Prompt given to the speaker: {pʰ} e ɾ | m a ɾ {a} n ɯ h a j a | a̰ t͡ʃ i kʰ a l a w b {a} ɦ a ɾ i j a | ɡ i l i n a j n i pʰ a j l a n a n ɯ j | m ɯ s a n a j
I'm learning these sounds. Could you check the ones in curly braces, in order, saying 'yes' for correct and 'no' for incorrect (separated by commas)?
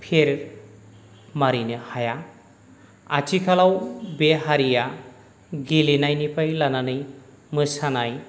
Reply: yes, no, no